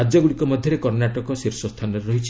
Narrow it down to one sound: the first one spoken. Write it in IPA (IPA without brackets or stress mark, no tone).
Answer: a